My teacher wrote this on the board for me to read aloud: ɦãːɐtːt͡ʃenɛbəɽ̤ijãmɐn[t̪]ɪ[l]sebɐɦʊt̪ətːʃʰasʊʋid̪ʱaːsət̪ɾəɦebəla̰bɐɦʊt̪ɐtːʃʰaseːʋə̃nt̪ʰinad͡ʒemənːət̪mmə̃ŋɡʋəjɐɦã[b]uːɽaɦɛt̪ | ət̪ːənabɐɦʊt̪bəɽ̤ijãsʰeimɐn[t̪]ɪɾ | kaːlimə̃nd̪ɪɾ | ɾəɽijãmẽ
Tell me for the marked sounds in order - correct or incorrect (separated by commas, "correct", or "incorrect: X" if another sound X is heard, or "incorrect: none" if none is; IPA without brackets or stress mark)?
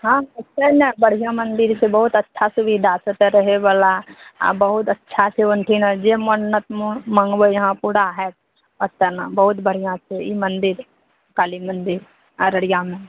incorrect: d̪, incorrect: ɾ, incorrect: p, incorrect: d̪